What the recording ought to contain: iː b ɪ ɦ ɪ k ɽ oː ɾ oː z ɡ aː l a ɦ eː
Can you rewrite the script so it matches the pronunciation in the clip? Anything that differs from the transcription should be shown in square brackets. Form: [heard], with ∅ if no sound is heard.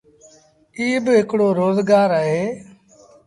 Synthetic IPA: iː b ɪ ɦ ɪ k ɽ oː ɾ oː z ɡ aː [ɾ] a ɦ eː